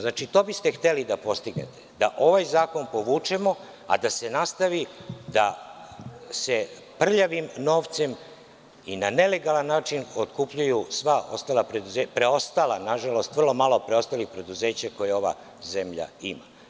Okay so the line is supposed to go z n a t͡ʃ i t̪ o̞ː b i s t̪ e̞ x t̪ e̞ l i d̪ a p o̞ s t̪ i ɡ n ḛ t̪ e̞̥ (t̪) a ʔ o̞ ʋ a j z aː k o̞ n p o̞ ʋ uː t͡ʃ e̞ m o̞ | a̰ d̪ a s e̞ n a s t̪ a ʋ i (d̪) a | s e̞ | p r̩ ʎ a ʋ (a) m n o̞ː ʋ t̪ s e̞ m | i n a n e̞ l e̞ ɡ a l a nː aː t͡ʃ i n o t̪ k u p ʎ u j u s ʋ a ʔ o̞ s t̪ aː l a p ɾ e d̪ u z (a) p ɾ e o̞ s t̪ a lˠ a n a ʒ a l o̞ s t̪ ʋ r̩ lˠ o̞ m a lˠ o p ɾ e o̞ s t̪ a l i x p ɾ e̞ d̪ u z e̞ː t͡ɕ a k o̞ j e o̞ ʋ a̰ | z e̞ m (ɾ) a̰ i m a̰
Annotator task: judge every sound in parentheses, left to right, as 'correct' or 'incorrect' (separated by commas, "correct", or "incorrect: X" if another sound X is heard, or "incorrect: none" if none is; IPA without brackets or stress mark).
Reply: incorrect: d̪, correct, incorrect: i, incorrect: e, incorrect: ʎ